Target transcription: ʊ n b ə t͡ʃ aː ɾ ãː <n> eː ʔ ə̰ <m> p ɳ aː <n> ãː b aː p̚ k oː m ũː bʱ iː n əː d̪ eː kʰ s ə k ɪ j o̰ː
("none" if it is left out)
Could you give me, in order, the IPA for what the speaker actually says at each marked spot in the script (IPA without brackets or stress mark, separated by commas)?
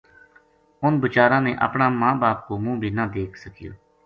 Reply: n, none, m